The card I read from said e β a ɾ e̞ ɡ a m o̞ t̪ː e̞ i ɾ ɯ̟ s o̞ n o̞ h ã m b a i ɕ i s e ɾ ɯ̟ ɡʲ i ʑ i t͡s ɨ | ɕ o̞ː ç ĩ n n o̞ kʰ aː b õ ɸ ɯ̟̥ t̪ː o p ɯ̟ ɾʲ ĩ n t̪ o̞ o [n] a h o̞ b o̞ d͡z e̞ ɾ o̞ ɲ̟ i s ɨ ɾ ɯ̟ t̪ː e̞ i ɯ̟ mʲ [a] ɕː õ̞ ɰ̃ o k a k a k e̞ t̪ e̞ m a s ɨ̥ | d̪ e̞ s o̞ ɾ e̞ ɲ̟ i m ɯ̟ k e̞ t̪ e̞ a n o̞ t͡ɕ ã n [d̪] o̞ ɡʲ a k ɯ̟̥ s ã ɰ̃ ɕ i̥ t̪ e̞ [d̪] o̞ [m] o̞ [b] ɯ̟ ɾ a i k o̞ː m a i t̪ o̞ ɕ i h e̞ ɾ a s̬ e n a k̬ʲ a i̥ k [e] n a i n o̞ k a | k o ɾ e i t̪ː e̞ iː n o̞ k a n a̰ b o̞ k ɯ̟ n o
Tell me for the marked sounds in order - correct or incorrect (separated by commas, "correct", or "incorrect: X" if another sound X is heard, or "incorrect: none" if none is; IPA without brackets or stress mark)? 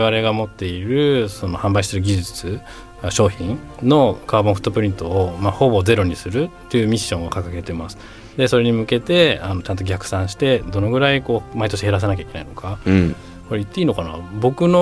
incorrect: m, incorrect: i, incorrect: t̪, correct, incorrect: n, incorrect: ɡ, correct